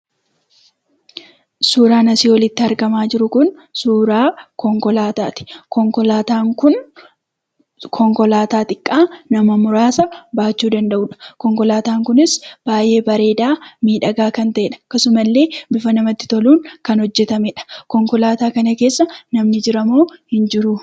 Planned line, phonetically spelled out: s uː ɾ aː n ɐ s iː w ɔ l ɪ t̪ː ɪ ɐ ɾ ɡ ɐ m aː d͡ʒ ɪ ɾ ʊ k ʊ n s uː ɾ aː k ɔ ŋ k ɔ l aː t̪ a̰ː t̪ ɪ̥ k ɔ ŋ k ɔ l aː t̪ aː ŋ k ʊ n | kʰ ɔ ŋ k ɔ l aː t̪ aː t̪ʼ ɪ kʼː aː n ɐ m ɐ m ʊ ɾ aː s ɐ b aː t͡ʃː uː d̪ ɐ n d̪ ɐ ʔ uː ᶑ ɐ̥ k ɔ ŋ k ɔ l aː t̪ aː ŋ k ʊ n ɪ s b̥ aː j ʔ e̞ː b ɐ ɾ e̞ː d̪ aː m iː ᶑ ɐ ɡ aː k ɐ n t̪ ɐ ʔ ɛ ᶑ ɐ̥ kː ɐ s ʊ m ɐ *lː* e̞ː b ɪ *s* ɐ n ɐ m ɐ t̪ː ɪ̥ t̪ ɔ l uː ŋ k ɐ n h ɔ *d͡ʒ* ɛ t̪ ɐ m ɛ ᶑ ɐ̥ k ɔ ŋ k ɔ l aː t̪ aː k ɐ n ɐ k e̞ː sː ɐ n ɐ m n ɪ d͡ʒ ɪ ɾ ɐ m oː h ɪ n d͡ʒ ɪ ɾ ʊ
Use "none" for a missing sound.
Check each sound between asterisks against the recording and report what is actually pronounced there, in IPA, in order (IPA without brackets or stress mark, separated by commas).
lː, f, d͡ʒː